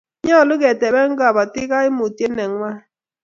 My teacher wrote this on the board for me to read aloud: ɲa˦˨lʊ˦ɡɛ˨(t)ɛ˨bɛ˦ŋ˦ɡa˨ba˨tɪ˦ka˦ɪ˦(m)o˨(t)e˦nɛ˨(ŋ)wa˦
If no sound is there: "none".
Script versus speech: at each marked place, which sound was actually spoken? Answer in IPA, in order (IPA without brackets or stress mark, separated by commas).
t, m, t, ŋ